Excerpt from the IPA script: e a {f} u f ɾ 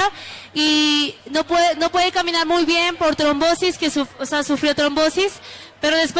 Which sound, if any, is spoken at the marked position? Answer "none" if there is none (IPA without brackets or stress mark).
s